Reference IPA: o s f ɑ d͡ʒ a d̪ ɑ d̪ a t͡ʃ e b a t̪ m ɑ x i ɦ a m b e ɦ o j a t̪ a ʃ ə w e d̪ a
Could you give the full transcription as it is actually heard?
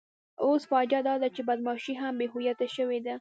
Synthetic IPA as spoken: o s f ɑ d͡ʒ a d̪ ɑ d̪ a t͡ʃ e b a d̪ m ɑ ʃ i ɦ a m b e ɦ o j a t̪ a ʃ ə w e d̪ a